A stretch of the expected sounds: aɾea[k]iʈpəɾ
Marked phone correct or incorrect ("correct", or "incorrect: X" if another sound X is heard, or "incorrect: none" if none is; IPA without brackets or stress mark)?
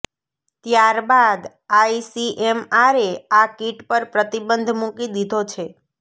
correct